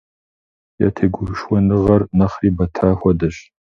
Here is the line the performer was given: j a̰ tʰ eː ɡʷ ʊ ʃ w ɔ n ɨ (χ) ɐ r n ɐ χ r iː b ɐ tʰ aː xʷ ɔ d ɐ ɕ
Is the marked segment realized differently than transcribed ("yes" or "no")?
yes